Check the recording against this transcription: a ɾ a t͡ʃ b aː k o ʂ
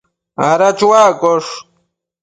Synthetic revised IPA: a ɾ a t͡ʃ w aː k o ʂ